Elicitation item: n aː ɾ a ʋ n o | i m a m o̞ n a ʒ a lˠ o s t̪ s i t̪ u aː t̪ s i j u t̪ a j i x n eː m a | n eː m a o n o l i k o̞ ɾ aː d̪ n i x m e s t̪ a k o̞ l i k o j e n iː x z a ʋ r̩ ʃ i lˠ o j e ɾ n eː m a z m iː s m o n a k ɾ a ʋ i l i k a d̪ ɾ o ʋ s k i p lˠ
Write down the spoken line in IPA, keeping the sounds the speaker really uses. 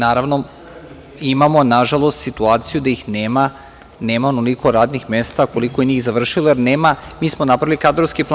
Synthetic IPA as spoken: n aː ɾ a ʋ n o | i m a m o̞ n a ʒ a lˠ o s t̪ s i t̪ u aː t̪ s i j u d̪ a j i x n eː m a | n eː m a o n o l i k o̞ ɾ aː d̪ n i x m e s t̪ a k o̞ l i k o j e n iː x z a ʋ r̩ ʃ i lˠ o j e ɾ n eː m a m iː s m o n a p ɾ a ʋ i l i k a d̪ ɾ o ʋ s k i p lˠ